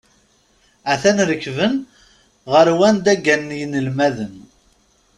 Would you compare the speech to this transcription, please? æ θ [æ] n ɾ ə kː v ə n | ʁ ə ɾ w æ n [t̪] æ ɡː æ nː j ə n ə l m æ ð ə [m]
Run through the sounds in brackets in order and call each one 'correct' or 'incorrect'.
correct, incorrect: d̪, incorrect: n

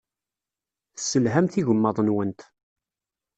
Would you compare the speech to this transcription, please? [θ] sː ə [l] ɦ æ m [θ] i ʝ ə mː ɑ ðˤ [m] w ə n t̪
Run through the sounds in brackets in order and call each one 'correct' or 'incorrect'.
correct, correct, correct, incorrect: n

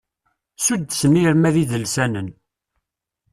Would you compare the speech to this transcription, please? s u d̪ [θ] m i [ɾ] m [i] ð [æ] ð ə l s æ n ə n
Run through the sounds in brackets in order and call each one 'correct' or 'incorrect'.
incorrect: s, correct, incorrect: æ, incorrect: i

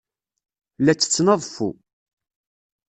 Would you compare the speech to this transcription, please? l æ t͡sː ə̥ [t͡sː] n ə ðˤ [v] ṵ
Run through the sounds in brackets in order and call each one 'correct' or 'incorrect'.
correct, incorrect: f

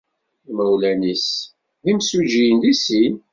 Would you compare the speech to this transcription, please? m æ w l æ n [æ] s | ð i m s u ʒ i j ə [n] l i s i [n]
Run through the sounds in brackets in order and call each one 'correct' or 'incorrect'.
incorrect: i, correct, correct

